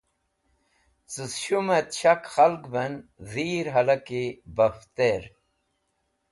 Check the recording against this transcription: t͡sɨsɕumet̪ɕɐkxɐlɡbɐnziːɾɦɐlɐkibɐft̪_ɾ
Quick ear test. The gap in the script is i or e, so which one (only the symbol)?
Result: e